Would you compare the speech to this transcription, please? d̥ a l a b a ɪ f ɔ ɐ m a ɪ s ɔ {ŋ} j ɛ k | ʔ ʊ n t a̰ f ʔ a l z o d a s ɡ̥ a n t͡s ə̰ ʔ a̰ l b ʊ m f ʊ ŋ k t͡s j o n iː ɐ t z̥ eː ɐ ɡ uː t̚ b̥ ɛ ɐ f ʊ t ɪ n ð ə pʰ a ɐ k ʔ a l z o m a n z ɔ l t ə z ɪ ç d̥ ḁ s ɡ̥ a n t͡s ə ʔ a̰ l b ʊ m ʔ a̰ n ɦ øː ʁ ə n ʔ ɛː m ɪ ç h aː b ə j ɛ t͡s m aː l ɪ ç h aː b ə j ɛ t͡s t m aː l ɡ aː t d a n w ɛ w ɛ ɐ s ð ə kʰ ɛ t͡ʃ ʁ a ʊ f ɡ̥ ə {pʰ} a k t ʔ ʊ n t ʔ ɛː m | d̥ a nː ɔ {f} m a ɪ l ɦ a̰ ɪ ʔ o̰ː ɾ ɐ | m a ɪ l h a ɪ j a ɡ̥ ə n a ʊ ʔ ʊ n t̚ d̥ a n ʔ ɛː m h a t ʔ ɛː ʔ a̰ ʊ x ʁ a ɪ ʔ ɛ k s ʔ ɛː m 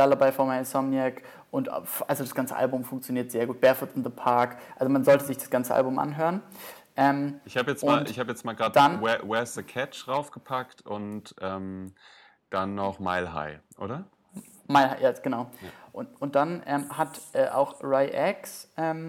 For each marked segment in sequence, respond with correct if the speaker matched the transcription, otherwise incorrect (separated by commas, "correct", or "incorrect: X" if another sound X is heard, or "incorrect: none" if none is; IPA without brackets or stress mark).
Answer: incorrect: m, correct, incorrect: χ